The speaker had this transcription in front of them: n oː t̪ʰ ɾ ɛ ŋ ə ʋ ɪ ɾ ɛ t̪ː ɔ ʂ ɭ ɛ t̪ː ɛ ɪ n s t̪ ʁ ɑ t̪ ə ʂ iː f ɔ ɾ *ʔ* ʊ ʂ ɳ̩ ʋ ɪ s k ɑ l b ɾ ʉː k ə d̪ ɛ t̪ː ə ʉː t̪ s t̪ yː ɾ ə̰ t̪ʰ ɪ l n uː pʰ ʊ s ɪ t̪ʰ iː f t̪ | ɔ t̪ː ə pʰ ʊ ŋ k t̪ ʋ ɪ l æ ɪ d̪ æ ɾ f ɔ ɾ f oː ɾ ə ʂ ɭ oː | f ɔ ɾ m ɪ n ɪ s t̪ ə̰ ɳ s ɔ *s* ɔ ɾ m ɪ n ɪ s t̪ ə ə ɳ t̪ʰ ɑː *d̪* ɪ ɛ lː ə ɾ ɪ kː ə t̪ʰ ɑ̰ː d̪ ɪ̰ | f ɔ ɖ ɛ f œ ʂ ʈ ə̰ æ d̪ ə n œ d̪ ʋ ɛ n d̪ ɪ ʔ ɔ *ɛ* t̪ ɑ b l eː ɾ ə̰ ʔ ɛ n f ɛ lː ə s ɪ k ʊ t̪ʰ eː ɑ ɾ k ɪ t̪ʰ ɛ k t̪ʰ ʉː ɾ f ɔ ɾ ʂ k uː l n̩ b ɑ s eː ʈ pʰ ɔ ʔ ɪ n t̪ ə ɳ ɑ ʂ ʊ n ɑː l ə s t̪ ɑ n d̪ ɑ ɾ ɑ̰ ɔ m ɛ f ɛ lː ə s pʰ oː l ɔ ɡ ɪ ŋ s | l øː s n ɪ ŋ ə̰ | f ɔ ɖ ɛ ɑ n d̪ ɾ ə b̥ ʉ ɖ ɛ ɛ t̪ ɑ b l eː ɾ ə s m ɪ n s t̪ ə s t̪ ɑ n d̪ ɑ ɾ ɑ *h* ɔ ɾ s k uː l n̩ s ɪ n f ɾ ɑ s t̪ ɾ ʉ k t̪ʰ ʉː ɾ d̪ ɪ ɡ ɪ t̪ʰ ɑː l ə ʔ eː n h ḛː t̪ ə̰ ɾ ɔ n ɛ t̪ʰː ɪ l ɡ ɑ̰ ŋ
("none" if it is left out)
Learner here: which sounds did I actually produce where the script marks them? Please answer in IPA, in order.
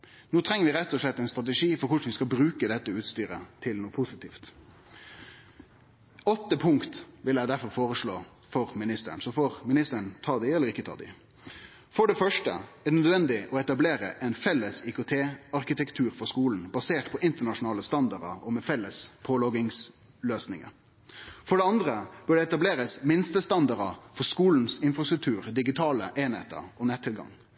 k, f, d̪, ɛ, f

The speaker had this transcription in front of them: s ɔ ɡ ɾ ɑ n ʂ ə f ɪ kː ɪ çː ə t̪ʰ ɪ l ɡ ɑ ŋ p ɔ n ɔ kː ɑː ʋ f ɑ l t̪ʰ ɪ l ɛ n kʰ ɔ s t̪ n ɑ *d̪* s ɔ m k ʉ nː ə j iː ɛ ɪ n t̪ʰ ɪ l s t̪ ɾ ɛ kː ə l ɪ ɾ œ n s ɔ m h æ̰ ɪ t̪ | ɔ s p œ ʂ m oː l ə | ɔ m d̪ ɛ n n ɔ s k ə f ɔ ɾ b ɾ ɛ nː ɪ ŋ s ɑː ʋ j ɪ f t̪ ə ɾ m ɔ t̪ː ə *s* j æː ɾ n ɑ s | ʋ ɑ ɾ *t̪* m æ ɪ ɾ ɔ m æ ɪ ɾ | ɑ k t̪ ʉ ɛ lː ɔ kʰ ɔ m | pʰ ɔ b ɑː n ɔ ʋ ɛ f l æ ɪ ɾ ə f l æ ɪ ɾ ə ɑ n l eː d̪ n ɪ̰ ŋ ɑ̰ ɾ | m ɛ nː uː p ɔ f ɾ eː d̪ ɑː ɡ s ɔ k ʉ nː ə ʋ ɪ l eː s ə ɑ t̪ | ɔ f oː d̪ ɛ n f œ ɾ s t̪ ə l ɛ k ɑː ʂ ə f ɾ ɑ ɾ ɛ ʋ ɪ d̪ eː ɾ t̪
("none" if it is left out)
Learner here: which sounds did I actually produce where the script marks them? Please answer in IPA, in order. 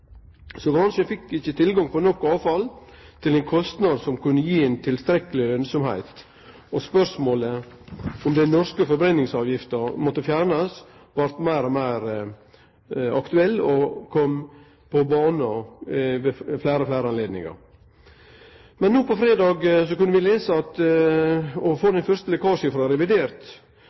d̪, f, t̪

